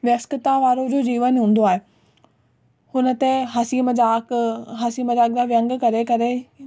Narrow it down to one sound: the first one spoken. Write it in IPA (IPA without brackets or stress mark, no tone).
ʋ